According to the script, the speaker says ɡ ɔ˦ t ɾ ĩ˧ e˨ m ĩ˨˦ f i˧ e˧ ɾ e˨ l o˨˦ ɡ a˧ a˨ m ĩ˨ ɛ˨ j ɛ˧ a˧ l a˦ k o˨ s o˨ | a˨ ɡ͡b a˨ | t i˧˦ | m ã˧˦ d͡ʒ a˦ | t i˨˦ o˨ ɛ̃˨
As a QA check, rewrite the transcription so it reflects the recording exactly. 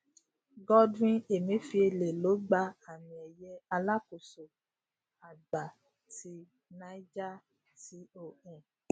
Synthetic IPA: ɡ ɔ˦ d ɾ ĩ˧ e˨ m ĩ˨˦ f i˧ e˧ l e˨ l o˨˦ ɡ͡b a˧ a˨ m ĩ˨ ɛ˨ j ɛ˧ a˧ l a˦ k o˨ s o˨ | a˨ ɡ͡b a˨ | t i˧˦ | n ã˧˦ d͡ʒ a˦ | t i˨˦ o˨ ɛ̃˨

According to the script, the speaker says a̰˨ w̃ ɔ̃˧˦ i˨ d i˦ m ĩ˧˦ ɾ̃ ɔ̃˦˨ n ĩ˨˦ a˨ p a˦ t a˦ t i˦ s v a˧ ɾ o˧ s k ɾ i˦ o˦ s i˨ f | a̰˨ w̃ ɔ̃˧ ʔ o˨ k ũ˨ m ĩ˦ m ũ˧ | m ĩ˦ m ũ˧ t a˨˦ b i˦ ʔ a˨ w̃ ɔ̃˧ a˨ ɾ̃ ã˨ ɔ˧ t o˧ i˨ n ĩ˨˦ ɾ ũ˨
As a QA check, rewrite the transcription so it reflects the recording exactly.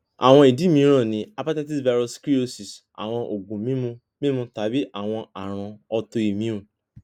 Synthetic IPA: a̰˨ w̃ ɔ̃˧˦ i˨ d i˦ m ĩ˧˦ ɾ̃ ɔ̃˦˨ n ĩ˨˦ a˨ p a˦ t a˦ t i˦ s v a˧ ɾ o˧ s k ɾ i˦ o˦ s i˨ s | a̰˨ w̃ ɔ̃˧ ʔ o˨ ɡ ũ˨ m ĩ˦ m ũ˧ | m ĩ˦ m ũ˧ t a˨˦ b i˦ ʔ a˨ w̃ ɔ̃˧ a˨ ɾ̃ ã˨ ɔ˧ t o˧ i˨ m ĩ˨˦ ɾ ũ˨

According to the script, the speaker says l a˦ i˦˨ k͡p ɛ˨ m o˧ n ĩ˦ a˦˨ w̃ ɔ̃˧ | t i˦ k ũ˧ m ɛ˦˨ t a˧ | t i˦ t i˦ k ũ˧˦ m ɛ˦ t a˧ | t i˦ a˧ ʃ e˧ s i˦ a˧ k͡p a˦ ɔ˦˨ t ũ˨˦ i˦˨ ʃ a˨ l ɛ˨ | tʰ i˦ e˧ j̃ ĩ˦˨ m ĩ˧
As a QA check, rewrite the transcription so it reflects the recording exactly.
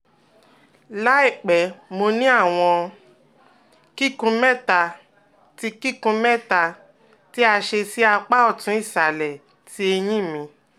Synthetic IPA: l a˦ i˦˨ k͡p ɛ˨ m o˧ n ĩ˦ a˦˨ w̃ ɔ̃˧ | k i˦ k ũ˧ m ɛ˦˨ t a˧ | t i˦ k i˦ k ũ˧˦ m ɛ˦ t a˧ | t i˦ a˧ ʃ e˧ s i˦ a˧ k͡p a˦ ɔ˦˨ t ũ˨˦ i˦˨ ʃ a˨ l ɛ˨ | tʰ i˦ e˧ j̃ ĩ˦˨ m ĩ˧

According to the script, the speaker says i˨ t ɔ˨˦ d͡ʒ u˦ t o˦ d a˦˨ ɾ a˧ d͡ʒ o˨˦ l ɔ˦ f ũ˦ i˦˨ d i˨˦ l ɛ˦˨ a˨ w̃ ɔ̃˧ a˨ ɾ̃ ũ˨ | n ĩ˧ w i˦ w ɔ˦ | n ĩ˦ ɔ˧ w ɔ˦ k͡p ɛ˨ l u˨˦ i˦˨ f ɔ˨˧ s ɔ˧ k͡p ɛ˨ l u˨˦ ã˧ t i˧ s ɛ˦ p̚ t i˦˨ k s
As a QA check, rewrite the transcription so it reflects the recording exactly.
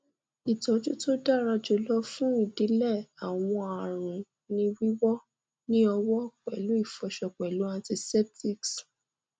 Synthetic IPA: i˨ t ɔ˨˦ d͡ʒ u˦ t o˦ d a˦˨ ɾ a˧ d͡ʒ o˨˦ l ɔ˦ f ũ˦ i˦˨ d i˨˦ l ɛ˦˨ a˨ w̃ ɔ̃˧ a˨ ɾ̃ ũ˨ | n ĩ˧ w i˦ w ɔ˦ | n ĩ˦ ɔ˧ w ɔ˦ k͡p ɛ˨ l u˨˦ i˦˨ f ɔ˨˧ ʃ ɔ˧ k͡p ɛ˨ l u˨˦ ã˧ t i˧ s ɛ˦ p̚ t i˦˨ k s

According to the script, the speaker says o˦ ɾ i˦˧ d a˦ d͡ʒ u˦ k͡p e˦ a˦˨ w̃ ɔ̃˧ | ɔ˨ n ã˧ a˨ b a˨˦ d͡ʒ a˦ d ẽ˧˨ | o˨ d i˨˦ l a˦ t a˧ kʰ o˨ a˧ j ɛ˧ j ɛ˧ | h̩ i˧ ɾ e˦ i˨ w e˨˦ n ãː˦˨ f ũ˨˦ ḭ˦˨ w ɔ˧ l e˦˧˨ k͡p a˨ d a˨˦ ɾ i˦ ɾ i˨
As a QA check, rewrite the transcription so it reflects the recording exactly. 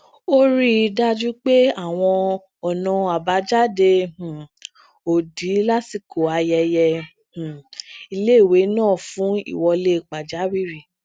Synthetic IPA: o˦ ɾ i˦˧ d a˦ d͡ʒ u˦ k͡p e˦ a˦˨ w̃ ɔ̃˧ | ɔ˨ n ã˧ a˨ b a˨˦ d͡ʒ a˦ d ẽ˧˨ | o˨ d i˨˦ l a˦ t i˧ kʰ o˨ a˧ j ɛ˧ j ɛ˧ | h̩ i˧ l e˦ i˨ w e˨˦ n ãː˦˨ f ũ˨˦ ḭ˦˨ w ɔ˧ l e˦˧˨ k͡p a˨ d͡ʒ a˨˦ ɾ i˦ ɾ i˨

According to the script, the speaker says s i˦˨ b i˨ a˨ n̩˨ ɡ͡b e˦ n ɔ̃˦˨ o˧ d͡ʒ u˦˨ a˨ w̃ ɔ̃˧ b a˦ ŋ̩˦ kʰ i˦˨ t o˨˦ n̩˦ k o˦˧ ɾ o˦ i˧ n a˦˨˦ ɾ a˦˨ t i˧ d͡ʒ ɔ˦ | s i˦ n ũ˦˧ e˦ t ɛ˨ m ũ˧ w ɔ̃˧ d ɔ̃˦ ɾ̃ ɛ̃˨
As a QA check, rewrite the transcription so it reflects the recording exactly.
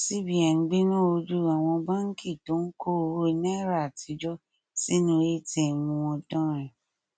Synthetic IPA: s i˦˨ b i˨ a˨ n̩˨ ɡ͡b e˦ n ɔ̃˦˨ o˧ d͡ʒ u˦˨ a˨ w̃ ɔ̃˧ b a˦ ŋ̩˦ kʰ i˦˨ t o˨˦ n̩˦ k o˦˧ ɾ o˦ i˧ n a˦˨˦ ɾ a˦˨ t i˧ d͡ʒ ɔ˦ | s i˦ n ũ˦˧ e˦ t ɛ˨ m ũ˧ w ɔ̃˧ d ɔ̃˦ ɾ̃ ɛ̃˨

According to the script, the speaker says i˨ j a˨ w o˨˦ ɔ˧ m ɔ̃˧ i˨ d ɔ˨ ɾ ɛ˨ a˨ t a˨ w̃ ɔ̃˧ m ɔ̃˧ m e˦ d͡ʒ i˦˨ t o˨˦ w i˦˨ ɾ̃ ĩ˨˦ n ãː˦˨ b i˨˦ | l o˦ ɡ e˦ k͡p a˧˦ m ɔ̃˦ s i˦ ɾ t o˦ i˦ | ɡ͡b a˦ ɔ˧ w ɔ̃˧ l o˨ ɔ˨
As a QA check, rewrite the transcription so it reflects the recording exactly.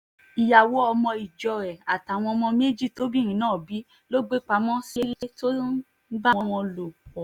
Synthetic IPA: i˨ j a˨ w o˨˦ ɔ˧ m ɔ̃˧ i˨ d͡ʒ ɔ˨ ɾ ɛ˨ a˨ t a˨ w̃ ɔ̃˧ m ɔ̃˧ m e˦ d͡ʒ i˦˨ t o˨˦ b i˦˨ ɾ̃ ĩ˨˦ n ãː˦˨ b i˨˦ | l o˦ ɡ͡b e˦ k͡p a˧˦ m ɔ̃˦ s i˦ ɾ t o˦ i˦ | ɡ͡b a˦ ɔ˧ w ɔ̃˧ l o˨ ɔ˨

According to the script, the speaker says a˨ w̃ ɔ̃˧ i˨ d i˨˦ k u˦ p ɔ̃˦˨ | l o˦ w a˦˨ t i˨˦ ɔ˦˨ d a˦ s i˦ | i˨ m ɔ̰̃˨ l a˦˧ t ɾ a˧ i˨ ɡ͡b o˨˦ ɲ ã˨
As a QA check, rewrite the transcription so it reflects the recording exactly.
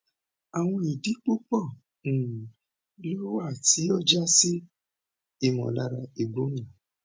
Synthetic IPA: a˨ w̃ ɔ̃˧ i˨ d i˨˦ k͡p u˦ k͡p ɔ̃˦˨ | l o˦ w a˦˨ t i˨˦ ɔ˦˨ d͡ʒ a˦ s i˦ | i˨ m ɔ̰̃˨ l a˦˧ ɾ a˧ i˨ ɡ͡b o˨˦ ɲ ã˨

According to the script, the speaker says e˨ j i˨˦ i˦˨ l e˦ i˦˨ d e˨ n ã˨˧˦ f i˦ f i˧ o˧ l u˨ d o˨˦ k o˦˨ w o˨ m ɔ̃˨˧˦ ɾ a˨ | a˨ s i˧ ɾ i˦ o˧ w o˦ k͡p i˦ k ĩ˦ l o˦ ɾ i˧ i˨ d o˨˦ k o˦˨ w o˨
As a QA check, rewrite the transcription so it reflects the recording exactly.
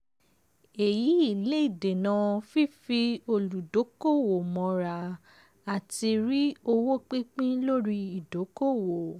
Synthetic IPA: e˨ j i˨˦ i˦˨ l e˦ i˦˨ d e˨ n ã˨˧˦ f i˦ f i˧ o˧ l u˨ d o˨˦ k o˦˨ w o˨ m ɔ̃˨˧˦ ɾ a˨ | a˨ t i˧ ɾ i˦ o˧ w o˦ k͡p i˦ k͡p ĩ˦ l o˦ ɾ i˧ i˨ d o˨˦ k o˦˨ w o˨

